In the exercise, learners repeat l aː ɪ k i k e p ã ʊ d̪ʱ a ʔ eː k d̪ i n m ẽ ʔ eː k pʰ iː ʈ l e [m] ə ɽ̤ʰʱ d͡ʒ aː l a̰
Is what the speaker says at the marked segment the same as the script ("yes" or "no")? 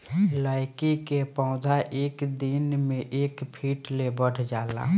no